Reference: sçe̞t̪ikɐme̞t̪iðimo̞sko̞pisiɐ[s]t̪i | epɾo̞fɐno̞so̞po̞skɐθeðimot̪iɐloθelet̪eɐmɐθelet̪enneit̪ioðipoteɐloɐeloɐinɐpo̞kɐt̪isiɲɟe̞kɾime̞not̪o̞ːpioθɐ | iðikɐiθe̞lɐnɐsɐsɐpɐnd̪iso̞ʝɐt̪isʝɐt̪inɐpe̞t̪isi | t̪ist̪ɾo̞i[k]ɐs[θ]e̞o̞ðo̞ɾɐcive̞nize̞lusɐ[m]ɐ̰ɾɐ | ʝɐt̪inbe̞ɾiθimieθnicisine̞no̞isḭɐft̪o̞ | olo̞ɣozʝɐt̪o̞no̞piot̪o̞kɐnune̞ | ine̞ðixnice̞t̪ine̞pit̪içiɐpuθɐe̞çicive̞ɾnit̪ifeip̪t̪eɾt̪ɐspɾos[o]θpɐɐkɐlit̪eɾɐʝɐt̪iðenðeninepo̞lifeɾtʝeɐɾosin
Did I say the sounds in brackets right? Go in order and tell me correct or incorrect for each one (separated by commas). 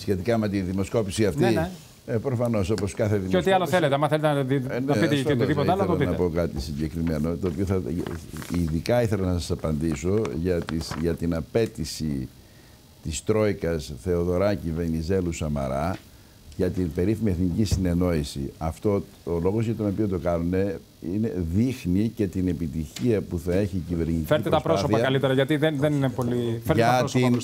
incorrect, correct, correct, correct, correct